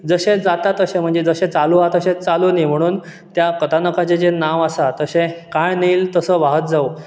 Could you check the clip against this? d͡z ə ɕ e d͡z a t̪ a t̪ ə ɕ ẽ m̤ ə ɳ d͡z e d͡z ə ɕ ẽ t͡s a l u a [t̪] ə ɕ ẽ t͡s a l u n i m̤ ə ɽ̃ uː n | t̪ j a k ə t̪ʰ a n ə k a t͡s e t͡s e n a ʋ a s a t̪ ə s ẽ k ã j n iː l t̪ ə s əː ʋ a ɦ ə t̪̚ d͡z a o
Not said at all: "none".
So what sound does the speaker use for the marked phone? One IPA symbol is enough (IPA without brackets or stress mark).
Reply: t̪